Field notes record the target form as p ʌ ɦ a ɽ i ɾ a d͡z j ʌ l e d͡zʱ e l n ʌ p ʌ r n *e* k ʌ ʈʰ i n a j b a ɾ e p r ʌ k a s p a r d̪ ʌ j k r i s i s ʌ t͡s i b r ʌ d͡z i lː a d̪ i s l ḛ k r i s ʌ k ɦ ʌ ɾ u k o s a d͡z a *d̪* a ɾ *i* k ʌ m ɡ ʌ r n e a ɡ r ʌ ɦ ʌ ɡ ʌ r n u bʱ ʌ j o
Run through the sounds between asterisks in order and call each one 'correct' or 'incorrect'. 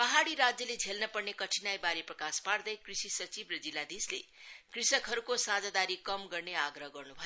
correct, correct, correct

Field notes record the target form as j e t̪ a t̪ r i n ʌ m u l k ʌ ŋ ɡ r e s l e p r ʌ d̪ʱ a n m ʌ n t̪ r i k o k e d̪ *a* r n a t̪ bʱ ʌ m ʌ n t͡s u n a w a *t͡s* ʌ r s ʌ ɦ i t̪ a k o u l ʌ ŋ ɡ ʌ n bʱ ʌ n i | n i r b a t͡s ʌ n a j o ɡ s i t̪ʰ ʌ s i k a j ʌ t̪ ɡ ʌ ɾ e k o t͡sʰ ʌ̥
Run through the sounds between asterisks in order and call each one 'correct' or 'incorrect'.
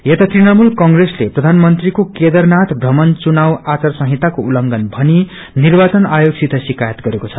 incorrect, correct

